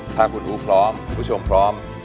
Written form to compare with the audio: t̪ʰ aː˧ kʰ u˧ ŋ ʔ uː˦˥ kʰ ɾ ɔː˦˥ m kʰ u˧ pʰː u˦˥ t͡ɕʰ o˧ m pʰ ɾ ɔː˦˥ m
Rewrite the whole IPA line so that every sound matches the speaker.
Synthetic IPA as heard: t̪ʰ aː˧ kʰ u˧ n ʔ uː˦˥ pʰ ɾ ɔː˦˥ m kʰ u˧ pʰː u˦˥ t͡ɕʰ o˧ m pʰ ɾ ɔː˦˥ m